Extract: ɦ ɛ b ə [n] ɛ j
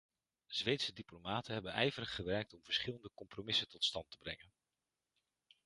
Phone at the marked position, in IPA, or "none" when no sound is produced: n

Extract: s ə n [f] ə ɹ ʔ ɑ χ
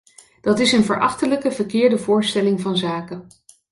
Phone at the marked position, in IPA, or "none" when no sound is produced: v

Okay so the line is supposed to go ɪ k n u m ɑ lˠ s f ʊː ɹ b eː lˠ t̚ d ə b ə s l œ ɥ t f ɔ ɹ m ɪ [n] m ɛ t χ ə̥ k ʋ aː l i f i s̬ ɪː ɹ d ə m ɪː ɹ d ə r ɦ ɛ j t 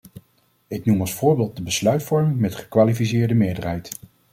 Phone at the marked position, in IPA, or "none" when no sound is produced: ŋ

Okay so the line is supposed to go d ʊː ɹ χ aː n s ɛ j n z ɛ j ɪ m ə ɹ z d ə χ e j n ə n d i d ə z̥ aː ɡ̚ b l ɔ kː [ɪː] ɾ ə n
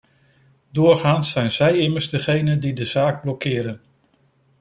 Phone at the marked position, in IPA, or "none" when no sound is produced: ɪː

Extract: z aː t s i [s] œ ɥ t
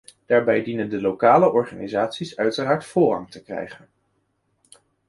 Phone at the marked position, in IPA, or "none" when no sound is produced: s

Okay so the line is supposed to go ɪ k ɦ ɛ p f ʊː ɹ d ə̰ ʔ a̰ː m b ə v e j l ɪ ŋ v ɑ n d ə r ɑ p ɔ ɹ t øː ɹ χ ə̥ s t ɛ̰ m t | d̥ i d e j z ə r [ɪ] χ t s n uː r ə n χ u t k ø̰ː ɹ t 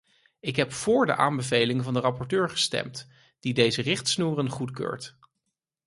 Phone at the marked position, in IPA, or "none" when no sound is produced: ɪ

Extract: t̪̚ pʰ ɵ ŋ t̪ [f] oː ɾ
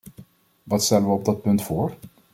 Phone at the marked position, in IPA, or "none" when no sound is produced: f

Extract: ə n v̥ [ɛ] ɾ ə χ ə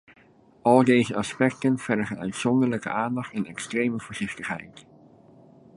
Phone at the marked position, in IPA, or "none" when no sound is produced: ɛ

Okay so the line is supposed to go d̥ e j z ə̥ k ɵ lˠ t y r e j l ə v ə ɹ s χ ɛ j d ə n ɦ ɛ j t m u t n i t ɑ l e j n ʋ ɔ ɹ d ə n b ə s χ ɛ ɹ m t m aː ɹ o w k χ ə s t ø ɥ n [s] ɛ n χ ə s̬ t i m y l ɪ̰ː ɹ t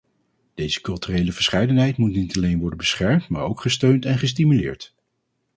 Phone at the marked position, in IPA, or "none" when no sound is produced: t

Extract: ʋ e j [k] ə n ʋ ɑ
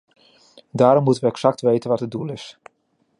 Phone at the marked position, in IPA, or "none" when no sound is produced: t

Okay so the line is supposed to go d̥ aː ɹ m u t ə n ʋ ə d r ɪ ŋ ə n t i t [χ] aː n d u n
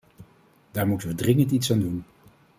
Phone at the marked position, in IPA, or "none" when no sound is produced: s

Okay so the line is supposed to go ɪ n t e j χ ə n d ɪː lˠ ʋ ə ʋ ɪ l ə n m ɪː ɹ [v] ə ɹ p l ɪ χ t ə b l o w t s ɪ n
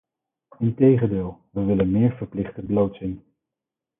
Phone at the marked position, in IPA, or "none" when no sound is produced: v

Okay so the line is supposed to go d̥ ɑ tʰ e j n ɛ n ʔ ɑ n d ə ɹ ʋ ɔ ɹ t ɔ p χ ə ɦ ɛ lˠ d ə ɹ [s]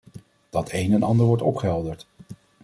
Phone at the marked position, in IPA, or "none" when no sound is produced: t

